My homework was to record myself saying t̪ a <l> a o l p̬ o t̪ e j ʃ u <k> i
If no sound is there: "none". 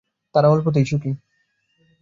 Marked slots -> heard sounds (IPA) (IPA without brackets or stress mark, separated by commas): ɾ, k